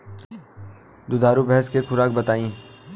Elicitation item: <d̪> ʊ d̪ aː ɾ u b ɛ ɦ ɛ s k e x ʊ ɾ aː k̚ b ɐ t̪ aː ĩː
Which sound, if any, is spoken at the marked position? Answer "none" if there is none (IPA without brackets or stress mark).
d̪